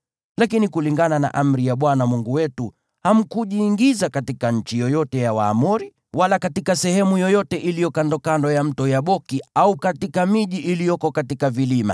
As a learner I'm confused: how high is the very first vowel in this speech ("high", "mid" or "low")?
low